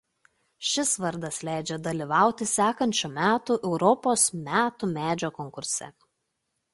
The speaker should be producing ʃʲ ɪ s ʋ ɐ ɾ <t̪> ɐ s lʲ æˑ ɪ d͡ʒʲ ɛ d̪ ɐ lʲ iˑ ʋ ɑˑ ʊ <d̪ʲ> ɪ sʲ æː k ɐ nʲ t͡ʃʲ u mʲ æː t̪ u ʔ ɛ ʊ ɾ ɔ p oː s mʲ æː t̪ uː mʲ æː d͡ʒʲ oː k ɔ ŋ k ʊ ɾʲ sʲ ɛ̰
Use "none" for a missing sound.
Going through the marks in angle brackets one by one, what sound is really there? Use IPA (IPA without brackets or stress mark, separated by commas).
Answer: d̪, t̪ʲ